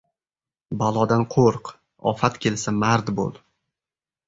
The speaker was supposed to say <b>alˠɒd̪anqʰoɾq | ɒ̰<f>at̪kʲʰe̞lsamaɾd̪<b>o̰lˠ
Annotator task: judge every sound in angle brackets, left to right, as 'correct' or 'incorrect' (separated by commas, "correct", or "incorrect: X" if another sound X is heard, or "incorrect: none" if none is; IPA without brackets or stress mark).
correct, correct, correct